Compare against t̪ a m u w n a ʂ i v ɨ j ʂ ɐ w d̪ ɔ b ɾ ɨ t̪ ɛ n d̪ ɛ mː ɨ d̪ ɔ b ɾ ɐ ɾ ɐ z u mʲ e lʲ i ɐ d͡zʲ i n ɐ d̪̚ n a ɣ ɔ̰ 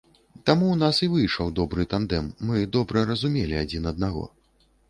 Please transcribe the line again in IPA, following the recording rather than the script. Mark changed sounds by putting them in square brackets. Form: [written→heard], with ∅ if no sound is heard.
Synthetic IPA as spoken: t̪ a m u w n a [ʂ→s] i v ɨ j ʂ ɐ w d̪ ɔ b ɾ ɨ t̪ [ɛ→a] n d̪ ɛ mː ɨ d̪ ɔ b ɾ ɐ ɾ ɐ z u mʲ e lʲ i [ɐ→a] d͡zʲ i n ɐ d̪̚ n a ɣ ɔ̰